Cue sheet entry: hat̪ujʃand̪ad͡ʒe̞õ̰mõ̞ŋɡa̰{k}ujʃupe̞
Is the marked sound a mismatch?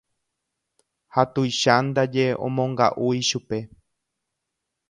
yes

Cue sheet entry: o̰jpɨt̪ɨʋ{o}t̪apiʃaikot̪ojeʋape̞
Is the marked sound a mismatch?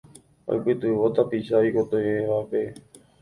no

